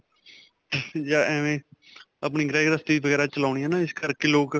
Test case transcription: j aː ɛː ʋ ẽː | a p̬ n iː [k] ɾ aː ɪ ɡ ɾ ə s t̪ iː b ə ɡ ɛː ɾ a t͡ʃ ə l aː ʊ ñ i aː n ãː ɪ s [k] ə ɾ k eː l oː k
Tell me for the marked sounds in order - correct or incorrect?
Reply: incorrect: ɡ, correct

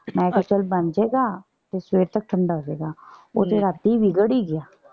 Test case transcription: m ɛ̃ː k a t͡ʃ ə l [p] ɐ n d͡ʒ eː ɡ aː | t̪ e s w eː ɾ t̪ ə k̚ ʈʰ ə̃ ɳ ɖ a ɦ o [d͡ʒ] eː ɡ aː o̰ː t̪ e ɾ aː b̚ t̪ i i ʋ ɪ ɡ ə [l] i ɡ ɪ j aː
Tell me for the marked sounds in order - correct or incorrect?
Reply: incorrect: b, correct, incorrect: ɽ

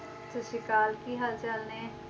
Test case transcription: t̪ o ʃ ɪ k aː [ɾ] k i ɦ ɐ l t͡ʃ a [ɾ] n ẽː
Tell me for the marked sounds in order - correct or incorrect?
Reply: incorrect: l, incorrect: l

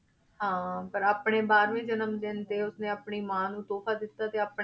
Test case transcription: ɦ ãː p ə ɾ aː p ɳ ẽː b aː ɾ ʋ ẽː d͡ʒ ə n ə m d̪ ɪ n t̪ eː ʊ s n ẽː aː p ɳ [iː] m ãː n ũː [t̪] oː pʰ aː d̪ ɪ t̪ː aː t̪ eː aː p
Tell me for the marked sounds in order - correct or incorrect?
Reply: correct, correct

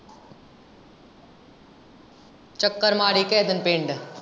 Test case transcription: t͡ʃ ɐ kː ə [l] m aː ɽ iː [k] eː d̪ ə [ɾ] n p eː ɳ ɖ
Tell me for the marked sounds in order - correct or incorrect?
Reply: incorrect: ɾ, correct, incorrect: none

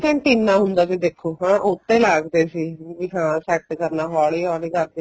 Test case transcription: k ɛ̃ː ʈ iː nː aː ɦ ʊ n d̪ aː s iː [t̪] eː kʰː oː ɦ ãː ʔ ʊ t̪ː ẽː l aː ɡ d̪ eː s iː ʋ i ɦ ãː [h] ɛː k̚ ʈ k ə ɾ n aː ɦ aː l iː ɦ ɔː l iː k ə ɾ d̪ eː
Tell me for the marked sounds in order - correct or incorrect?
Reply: incorrect: d̪, incorrect: s

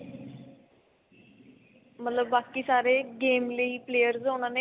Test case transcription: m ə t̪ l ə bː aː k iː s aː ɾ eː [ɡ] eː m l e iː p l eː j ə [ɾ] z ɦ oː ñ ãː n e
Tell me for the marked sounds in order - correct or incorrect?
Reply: correct, correct

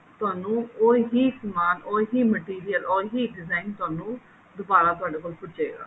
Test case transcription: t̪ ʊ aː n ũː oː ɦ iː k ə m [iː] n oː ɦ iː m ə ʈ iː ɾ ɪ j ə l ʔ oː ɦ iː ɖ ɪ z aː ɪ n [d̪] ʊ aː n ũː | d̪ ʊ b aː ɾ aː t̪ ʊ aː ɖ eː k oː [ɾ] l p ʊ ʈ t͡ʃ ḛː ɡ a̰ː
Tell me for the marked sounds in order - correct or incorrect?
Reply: incorrect: aː, incorrect: t̪, incorrect: none

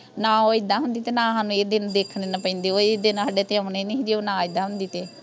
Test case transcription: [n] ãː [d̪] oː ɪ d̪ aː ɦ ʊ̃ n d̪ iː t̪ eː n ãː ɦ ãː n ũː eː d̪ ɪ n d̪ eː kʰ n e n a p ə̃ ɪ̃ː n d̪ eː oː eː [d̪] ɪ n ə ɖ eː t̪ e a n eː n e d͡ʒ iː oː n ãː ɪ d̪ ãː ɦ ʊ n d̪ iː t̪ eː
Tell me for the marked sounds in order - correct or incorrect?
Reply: correct, incorrect: none, correct

